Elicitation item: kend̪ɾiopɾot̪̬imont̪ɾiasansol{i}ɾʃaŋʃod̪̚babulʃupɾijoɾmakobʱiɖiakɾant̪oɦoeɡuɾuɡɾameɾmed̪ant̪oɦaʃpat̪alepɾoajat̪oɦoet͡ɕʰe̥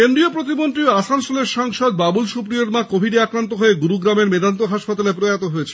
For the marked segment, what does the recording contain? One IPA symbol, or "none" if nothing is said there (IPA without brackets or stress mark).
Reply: e